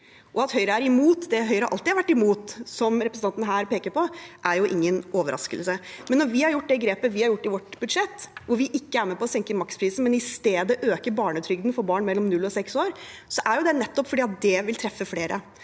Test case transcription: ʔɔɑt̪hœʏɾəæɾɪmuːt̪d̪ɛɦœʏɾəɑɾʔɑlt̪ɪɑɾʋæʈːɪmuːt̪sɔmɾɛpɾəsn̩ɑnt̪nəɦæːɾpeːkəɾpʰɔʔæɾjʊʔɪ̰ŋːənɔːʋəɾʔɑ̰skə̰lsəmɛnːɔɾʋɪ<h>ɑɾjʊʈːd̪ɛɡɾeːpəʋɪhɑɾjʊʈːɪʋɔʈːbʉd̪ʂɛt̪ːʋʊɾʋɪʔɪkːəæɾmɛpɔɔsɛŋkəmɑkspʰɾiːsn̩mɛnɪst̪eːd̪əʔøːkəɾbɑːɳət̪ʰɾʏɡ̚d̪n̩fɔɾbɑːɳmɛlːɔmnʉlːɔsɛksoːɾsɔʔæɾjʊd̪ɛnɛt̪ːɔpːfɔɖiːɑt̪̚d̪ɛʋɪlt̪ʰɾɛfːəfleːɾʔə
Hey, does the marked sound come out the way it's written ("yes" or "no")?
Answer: yes